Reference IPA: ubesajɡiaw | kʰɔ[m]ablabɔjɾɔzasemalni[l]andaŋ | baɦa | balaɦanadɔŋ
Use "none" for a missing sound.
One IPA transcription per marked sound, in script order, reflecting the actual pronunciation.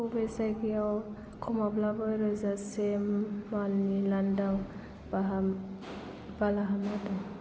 m, l

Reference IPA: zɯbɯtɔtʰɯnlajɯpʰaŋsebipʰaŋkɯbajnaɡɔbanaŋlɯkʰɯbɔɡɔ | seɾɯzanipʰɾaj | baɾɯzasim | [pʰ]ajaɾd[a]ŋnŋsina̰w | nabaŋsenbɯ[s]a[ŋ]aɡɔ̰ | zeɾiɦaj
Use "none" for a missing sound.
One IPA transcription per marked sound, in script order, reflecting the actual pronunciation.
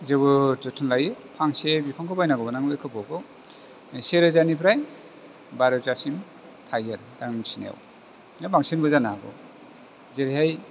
tʰ, a, z, n

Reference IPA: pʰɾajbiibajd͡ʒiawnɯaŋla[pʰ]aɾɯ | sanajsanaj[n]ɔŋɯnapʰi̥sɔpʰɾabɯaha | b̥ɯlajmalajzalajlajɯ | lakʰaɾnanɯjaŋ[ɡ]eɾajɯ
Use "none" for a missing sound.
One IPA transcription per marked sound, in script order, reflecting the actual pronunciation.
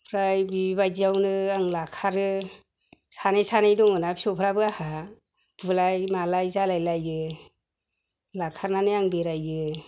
kʰ, d, b

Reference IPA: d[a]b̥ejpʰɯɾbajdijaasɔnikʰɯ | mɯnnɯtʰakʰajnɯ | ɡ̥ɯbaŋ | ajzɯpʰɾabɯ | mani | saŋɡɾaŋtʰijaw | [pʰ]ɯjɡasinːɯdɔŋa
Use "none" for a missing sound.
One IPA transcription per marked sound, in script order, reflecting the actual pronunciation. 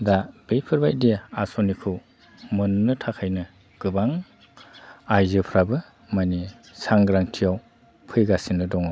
a, pʰ

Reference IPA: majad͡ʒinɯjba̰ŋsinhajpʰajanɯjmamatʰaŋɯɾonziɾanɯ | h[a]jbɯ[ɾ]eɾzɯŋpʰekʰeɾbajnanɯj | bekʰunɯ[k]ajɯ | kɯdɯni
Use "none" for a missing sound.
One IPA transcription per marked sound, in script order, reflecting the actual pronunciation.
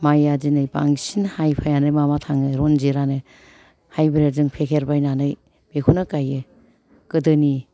a, ɾ, k

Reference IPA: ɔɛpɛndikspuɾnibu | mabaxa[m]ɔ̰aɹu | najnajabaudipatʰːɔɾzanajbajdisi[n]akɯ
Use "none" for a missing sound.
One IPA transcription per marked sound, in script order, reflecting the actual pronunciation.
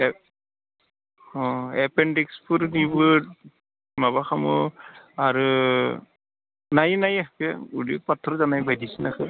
m, n

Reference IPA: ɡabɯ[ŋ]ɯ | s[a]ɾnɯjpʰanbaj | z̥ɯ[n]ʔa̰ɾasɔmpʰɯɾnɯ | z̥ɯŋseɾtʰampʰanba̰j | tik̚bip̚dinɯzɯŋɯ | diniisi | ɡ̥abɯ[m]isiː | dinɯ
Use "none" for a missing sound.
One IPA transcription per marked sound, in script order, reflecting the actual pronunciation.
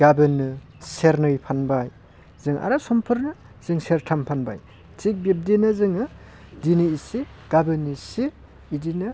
n, e, ŋ, n

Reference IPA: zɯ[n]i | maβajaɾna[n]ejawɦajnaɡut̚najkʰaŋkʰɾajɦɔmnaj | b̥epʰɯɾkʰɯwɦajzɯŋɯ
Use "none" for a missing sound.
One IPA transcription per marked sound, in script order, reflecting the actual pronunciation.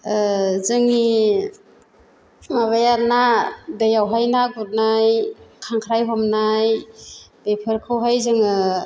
ŋ, d

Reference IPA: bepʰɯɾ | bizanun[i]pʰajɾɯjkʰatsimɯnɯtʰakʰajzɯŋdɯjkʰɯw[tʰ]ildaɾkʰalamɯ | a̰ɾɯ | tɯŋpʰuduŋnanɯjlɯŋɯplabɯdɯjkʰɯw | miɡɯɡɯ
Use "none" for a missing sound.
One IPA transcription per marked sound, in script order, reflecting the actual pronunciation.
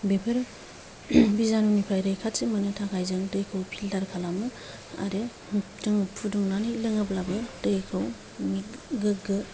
i, pʰ

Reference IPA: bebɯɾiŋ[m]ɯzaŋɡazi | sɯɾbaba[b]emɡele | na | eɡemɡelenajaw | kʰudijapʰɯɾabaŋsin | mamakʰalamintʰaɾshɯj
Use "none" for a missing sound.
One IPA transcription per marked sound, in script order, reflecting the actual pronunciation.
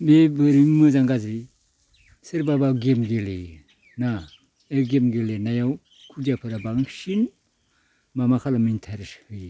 m, ɡ

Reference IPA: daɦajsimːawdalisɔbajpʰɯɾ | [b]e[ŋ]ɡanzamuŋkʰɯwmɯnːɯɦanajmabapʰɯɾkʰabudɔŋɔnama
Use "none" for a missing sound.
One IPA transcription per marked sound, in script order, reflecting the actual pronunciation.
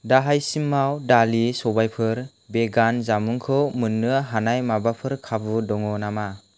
b, none

